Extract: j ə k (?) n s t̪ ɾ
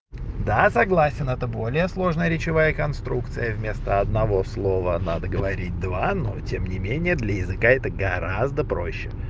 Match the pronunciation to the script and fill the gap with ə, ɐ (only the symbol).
ɐ